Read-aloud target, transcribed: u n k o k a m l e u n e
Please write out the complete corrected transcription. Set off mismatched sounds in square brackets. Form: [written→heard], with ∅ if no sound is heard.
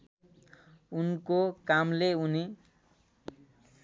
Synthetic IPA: u n k o k a m l e u n [e→i]